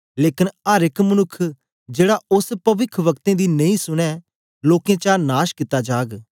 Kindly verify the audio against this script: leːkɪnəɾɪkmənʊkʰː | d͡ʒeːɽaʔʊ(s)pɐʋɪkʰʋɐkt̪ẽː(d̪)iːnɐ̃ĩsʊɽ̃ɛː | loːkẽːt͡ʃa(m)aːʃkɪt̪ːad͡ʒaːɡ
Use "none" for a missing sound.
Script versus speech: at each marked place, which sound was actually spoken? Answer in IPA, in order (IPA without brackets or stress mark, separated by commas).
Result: s, d̪, n